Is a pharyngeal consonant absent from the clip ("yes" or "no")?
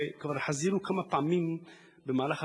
no